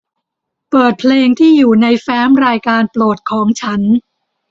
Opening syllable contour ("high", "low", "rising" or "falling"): low